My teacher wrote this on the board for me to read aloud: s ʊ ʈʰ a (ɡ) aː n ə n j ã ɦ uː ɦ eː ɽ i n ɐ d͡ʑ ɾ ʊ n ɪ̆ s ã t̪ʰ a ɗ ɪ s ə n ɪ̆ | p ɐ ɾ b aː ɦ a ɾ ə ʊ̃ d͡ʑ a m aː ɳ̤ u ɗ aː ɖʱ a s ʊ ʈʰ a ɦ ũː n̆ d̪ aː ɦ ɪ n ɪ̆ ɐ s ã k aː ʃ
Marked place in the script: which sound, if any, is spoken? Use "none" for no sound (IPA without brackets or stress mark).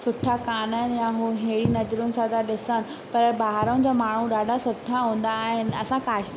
k